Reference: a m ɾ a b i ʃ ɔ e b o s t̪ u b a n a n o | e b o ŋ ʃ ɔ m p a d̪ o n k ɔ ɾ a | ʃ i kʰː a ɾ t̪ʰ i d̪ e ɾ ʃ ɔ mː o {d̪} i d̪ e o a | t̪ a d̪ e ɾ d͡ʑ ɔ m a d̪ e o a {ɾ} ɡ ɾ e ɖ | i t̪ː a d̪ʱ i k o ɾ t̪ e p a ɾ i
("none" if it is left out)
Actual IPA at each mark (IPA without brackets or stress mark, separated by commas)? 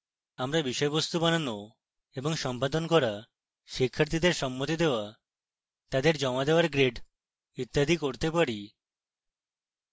t̪, ɾ